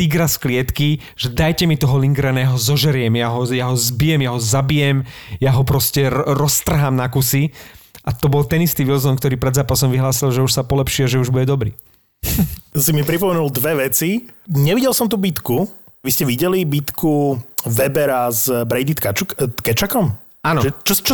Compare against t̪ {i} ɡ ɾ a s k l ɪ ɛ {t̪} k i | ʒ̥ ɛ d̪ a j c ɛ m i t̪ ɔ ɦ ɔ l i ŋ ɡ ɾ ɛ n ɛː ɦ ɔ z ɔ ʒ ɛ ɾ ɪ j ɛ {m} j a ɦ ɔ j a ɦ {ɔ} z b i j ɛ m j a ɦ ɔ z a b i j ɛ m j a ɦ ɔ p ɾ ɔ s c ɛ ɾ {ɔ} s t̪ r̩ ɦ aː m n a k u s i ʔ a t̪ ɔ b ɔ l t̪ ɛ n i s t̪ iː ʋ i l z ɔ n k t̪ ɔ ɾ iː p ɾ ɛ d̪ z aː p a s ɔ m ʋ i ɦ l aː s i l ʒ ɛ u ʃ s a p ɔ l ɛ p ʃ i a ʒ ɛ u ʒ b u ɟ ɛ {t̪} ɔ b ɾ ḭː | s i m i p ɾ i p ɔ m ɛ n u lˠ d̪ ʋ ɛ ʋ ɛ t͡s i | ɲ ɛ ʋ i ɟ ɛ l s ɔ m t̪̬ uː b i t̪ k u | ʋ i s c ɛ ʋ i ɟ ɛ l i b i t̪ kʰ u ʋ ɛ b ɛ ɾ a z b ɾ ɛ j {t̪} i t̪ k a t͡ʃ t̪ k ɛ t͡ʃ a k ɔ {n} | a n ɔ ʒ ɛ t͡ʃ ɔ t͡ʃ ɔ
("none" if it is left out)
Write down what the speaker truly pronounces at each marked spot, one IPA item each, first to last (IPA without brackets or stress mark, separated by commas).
i, t̪, m, ɔ, ɔ, d̪, d̪, m